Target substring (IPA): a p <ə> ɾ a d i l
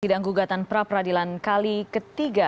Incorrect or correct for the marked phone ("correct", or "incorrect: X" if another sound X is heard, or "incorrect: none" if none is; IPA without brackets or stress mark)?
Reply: correct